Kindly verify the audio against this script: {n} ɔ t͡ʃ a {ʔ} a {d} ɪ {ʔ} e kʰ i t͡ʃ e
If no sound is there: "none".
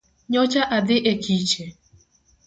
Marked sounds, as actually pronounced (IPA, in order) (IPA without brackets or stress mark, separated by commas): ɲ, ʔ, d, ʔ